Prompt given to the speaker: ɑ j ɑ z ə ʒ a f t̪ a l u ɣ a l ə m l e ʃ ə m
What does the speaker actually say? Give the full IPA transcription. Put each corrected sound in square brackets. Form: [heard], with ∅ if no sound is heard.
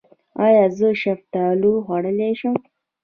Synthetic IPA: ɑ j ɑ z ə [ʃ] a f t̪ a l u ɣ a [ɽ] ə [∅] l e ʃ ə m